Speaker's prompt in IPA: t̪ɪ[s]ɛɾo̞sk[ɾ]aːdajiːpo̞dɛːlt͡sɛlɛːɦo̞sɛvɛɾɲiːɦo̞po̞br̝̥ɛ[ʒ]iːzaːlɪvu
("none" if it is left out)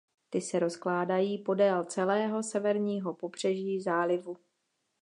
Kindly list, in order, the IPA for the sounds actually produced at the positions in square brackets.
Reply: s, l, ʒ

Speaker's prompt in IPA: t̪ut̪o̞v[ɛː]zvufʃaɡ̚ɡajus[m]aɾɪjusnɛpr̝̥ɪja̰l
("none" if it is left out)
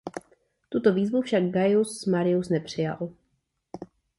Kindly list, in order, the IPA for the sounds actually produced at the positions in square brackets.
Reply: iː, m

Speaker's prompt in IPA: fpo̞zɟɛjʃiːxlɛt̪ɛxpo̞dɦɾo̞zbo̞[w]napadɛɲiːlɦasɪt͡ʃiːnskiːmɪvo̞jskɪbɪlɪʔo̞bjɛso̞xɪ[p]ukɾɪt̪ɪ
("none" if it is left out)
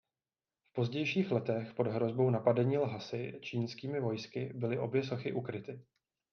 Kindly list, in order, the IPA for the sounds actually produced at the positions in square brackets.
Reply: w, ʔ

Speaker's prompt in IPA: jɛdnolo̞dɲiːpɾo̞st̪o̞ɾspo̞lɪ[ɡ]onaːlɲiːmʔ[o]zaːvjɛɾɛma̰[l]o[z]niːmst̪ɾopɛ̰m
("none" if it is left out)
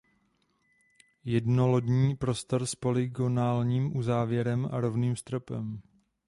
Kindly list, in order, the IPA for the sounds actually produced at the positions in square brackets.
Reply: ɡ, u, ɾ, v

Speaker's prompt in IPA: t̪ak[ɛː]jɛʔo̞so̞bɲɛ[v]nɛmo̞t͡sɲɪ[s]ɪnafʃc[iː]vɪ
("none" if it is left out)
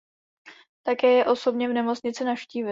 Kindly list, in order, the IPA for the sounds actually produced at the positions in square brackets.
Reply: ɛː, v, t͡s, iː

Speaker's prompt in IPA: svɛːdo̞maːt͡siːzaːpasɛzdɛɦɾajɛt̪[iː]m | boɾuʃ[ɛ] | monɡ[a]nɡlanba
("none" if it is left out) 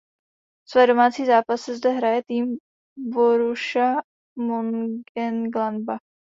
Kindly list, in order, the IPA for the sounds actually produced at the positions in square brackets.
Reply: iː, a, ɛ

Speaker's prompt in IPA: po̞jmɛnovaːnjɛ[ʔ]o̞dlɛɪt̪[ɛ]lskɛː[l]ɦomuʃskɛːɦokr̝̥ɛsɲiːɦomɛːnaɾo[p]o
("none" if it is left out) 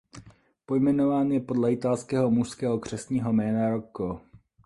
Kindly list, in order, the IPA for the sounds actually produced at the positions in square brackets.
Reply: p, a, none, k

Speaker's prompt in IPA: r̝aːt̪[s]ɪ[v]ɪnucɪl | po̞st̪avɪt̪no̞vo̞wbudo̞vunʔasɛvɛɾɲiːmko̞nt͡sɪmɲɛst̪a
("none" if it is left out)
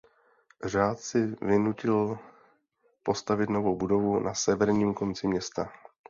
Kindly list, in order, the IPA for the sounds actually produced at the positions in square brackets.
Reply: s, v

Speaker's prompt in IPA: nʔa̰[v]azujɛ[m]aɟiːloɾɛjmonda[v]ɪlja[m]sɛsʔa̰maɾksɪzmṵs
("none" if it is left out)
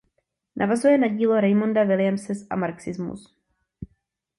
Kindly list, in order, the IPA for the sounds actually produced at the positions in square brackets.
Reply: v, n, v, m

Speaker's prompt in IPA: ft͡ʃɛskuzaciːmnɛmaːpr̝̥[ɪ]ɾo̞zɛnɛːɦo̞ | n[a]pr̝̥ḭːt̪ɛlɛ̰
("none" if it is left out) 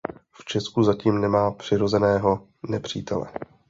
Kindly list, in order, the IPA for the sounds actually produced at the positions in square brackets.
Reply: ɪ, ɛ

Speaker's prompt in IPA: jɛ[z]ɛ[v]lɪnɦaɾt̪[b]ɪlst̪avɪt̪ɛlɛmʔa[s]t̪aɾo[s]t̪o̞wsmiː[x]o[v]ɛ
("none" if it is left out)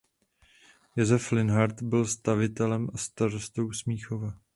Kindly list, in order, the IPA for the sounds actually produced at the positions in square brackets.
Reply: z, f, b, s, s, x, v

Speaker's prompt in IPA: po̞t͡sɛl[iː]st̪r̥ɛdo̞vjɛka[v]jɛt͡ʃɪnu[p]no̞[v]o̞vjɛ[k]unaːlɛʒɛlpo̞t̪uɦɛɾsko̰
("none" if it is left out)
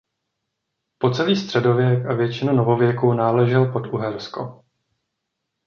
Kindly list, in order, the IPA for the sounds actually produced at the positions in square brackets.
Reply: iː, v, none, v, k

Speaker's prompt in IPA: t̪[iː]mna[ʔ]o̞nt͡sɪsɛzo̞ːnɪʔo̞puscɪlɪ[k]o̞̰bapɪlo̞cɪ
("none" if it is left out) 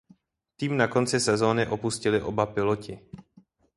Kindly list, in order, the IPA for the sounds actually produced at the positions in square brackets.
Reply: iː, k, ʔ

